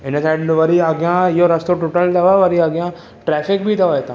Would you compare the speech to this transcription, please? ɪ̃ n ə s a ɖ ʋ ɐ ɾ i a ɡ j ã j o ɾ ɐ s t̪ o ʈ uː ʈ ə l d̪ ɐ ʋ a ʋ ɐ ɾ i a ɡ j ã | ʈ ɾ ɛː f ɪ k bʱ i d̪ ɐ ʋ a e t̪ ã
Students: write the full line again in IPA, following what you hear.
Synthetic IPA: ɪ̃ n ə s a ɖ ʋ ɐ ɾ i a ɡ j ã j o ɾ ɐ s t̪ o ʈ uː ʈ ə l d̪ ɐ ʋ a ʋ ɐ ɾ i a ɡ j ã | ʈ ɾ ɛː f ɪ k bʱ i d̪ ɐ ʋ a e t̪ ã